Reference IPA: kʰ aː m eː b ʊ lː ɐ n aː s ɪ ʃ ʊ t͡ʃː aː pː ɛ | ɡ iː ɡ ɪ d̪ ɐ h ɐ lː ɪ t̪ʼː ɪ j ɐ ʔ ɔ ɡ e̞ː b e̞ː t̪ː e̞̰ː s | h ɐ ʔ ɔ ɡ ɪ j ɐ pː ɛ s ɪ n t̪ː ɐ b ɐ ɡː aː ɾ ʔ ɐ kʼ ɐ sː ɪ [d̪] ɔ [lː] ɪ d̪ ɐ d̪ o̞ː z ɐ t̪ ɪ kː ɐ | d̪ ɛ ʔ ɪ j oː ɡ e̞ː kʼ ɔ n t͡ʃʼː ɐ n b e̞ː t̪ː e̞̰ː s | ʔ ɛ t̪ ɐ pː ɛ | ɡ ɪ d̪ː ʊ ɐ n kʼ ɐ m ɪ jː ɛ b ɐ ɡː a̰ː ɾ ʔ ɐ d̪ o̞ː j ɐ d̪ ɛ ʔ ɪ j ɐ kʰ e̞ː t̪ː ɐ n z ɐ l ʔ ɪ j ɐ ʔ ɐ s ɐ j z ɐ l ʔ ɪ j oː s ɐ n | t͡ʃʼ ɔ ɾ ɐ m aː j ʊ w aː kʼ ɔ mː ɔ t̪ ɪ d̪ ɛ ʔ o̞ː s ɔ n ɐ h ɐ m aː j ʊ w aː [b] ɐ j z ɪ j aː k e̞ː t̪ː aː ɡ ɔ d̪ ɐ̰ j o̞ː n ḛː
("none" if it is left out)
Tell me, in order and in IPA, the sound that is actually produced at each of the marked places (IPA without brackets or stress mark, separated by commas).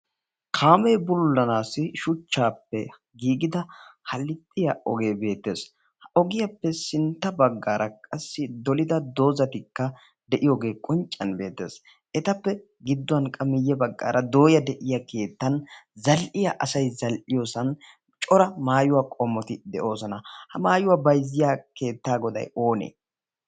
d̪, l, b